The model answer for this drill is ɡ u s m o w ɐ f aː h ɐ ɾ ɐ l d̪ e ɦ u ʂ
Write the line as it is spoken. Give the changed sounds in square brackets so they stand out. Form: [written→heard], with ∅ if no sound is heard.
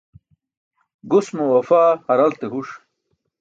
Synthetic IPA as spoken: ɡ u s m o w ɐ f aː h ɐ ɾ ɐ l [d̪→t̪] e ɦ u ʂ